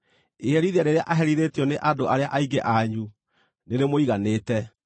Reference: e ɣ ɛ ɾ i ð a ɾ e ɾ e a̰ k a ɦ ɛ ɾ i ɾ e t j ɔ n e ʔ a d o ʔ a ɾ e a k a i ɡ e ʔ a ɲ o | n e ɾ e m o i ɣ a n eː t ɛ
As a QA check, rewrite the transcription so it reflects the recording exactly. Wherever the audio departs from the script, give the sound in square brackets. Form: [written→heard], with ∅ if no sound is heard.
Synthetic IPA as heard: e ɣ ɛ ɾ i ð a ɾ e ɾ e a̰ [k→ʔ] a ɦ ɛ ɾ i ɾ e t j ɔ n e ʔ a d o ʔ a ɾ e a [k→ʔ] a i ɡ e ʔ a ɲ [o→u] | n e ɾ e m o i ɣ a n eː t ɛ